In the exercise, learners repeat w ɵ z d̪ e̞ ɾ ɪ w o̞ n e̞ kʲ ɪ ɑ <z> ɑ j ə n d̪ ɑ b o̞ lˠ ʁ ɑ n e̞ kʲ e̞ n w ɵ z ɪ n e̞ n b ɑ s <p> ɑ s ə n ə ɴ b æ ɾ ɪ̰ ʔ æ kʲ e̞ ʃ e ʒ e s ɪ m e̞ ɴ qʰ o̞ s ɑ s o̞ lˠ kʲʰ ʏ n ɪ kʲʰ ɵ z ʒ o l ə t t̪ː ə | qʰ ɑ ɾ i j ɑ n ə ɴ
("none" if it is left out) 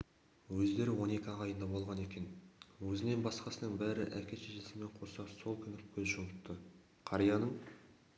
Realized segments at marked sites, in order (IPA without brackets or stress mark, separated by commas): ʁ, q